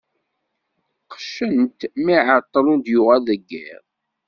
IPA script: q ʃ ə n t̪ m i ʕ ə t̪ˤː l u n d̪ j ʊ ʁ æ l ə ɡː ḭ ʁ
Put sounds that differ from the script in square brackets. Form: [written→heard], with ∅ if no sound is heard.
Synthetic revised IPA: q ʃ ə n t̪ m i ʕ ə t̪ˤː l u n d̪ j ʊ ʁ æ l ə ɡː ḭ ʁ

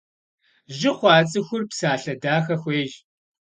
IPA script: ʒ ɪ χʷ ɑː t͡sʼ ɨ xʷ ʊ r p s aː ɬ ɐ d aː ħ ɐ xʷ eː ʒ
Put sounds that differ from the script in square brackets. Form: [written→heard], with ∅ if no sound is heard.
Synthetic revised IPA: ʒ ɪ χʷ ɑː t͡sʼ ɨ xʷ ʊ r p s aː ɬ ɐ d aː [ħ→x] ɐ xʷ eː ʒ

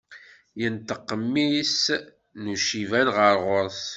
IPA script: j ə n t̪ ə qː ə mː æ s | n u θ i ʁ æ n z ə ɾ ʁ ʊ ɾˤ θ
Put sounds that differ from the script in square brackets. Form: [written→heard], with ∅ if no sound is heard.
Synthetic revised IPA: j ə n t̪ ə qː ə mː [æ→i] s | n u [θ→ʃ] i [ʁ→v] æ n [z→ʁ] ə ɾ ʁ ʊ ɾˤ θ

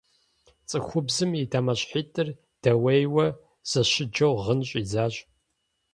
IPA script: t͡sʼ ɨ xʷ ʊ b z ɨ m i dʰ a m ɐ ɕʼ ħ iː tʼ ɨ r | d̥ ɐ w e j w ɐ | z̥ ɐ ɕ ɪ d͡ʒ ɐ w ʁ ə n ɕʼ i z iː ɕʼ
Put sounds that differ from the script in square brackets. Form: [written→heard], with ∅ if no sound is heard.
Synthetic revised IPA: t͡sʼ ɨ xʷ ʊ b z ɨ m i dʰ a m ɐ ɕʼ ħ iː tʼ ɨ r | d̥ ɐ w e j w ɐ | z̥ ɐ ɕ ɪ d͡ʒ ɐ w ʁ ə n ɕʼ i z [iː→aː] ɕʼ

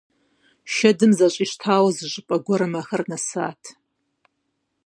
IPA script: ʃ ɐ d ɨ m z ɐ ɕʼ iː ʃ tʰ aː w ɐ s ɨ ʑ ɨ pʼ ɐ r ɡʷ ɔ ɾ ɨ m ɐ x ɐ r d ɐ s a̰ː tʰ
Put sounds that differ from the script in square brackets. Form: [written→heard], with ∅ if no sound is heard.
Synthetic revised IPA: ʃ ɐ d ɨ m z ɐ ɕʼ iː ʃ tʰ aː w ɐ [s→z] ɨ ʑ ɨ pʼ ɐ [r→∅] ɡʷ ɔ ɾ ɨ m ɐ x ɐ r [d→n] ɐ s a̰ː tʰ

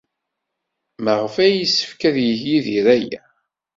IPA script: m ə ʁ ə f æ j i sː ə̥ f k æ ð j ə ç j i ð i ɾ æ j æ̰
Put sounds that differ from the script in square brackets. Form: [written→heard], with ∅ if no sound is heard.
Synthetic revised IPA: m ə ʁ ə f æ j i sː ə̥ f k æ ð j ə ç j i ð i ɾ æ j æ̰

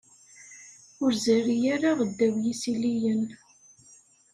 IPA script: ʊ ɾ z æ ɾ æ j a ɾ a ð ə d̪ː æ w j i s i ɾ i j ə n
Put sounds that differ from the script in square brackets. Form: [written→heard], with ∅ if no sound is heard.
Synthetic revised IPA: ʊ ɾ z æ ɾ [æ→i] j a ɾ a [ð→ʁ] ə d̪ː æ w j i s i [ɾ→l] i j ə n

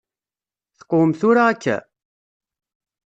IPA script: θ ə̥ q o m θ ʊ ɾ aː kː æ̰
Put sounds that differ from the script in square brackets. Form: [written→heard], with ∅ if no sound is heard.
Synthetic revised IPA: θ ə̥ q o m θ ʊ ɾ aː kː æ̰

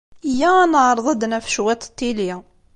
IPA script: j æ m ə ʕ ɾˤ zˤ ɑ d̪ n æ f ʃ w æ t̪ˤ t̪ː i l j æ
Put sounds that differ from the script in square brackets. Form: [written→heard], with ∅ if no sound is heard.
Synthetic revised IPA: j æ [m→n] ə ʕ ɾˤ [zˤ→ðˤ] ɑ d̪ n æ f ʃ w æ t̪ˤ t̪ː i l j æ

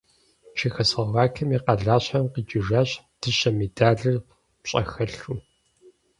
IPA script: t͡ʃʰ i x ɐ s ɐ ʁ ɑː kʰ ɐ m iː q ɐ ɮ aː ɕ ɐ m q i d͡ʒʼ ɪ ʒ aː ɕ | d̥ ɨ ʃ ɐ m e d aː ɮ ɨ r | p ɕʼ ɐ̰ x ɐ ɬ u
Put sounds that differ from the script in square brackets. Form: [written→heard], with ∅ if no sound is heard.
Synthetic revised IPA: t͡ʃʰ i x ɐ s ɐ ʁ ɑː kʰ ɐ m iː q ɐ ɮ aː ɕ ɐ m q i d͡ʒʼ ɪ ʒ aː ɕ | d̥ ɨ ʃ ɐ m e d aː ɮ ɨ r | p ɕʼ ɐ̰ x ɐ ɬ u

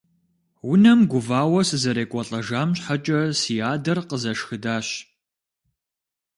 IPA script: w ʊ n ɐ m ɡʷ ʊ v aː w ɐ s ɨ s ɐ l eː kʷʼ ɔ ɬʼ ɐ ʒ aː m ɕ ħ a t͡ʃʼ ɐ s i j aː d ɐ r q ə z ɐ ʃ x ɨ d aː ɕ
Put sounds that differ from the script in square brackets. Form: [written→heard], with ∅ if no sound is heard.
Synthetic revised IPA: w ʊ n ɐ m ɡʷ ʊ v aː w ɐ s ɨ [s→z] ɐ [l→ɾ] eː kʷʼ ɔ ɬʼ ɐ ʒ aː m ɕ ħ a t͡ʃʼ ɐ s i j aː d ɐ r q ə z ɐ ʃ x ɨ d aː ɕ

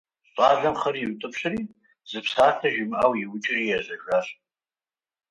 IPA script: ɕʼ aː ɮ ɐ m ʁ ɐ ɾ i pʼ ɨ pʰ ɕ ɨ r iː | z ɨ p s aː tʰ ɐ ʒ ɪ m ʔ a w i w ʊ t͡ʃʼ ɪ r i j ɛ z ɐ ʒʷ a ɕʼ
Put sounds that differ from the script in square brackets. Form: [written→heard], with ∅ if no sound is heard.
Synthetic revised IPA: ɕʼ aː ɮ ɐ m [ʁ→χ] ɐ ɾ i [pʼ→tʼ] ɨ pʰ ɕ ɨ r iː | z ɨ p s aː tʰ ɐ ʒ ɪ m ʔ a w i w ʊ t͡ʃʼ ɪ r i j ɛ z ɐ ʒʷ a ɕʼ

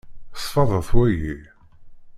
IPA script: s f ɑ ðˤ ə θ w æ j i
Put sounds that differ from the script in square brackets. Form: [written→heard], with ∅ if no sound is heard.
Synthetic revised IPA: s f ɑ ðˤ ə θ w æ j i

